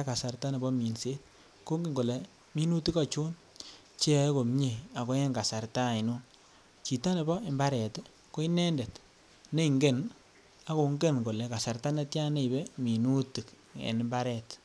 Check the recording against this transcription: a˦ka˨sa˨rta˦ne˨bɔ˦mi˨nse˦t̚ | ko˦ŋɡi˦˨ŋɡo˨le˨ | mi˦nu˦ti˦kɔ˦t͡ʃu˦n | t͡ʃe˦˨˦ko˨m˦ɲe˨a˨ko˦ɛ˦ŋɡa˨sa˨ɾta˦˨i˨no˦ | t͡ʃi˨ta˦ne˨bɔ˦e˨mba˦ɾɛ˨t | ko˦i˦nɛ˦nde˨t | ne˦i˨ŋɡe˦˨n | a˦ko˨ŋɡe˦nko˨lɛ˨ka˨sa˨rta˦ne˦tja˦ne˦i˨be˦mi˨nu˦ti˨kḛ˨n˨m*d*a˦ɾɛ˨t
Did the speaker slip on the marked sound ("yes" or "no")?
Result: yes